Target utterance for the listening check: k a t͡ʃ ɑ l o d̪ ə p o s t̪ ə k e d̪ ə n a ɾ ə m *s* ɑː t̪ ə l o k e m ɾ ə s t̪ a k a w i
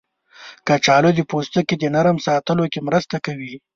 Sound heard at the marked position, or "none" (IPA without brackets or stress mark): s